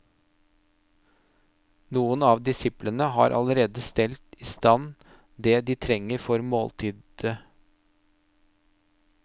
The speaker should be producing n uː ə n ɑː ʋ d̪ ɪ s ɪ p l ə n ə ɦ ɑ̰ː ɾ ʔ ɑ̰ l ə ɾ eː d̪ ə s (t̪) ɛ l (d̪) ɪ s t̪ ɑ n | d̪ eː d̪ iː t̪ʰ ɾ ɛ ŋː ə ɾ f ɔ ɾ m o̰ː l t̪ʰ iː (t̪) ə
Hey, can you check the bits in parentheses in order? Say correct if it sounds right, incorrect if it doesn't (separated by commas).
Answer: correct, incorrect, incorrect